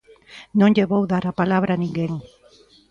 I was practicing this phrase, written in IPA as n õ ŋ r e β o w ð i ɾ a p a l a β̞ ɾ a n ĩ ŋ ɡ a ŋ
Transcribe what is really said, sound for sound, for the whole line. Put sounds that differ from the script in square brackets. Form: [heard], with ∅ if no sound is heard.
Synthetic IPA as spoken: n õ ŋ [ʎ] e β o w ð [a] ɾ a p a l a β̞ ɾ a n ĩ ŋ ɡ [e] ŋ